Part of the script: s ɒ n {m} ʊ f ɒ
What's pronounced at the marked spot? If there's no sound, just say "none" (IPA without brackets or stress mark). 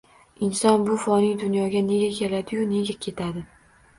b